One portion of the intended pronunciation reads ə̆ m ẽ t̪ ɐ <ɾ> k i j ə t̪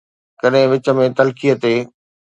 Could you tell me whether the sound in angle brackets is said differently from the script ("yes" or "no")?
yes